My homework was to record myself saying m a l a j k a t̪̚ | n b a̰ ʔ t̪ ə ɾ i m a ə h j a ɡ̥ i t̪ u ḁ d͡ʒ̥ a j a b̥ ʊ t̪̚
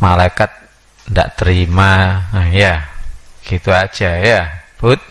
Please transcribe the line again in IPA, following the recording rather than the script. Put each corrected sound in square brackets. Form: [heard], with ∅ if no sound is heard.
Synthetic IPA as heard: m a l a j k a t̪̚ | n [d] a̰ ʔ t̪ ə ɾ i m a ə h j a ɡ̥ i t̪ u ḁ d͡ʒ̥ a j a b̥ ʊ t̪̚